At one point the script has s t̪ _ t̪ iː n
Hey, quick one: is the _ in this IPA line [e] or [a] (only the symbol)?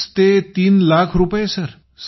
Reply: e